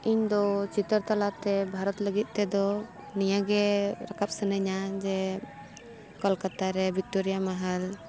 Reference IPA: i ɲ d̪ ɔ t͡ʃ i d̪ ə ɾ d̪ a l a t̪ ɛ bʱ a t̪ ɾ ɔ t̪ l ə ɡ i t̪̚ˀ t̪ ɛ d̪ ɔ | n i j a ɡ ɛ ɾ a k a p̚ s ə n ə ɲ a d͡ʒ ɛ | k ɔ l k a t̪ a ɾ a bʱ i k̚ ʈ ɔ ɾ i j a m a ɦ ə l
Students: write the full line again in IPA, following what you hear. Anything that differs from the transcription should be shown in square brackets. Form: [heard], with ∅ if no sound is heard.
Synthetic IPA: i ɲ d̪ ɔ t͡ʃ i [t̪] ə ɾ [t̪] a l a t̪ ɛ bʱ a [∅] ɾ ɔ t̪ l ə ɡ i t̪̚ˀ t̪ ɛ d̪ ɔ | n i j a ɡ ɛ ɾ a k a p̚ s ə n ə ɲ a d͡ʒ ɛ | k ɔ l k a t̪ a ɾ [ɛ] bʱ i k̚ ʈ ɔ ɾ i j a m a ɦ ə l